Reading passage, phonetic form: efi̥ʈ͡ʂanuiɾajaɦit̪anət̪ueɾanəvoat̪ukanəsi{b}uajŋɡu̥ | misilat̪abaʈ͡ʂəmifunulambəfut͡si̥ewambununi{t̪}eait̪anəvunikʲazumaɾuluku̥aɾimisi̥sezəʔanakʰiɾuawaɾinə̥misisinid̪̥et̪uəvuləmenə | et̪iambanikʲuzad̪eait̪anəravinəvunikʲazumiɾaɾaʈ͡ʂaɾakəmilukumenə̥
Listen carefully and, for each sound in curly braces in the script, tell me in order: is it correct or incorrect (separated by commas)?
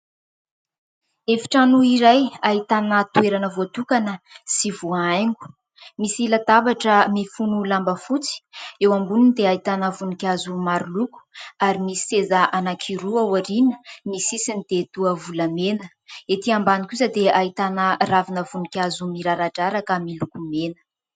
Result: incorrect, incorrect